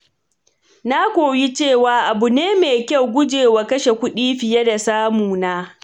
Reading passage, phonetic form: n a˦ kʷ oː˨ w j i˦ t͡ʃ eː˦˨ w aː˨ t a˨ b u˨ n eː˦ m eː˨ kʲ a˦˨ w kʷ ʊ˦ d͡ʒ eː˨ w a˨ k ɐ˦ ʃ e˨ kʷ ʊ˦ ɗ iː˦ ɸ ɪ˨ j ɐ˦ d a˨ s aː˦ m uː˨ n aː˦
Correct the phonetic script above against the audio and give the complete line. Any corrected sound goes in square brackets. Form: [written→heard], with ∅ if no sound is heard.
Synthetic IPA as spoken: n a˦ kʷ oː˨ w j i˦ t͡ʃ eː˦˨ w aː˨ [t→ʔ] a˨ b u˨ n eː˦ m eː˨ kʲ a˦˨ w [kʷ→ɡʷ] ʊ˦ d͡ʒ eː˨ w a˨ k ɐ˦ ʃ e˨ kʷ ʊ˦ ɗ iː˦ ɸ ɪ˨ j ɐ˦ d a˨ s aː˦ m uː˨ n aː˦